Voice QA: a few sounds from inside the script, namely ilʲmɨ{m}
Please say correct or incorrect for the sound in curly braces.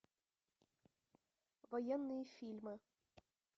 incorrect: none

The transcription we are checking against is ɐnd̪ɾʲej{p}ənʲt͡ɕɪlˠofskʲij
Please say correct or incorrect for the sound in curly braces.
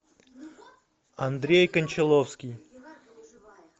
incorrect: k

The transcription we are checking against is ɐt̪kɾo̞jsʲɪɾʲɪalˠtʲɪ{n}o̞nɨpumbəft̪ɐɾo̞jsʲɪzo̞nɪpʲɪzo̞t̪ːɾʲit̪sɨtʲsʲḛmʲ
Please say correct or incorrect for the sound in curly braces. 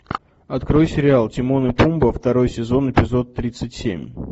incorrect: m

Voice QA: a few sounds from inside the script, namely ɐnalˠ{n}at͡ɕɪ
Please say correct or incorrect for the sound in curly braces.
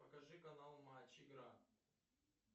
incorrect: m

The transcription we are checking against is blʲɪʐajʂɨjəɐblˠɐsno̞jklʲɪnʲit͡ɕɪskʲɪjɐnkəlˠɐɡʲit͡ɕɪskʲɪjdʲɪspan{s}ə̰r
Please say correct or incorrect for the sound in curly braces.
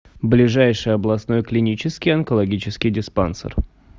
correct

